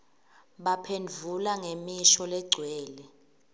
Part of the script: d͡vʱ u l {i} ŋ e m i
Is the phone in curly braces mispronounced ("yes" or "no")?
yes